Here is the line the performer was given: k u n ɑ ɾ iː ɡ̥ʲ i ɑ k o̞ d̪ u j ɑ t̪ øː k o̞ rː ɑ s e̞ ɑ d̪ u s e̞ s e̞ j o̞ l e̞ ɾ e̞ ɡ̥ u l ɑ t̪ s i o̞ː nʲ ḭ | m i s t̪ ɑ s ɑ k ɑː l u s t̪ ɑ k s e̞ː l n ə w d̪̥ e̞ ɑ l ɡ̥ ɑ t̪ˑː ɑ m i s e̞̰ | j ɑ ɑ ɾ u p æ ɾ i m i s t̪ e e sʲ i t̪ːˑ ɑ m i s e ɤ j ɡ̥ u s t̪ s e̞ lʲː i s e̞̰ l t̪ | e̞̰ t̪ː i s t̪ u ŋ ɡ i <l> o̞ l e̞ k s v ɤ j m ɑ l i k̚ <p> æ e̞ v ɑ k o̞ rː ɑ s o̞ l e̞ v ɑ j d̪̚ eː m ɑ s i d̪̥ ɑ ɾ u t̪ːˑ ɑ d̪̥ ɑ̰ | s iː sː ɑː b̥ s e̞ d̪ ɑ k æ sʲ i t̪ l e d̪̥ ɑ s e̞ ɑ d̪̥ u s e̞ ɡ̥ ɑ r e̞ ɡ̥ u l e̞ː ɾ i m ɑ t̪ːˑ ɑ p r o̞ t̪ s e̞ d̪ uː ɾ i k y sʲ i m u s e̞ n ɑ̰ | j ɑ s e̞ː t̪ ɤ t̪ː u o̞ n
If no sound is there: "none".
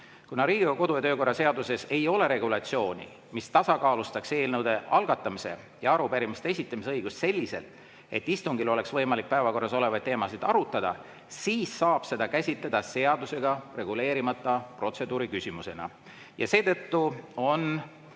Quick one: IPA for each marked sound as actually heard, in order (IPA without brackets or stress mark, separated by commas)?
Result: l, p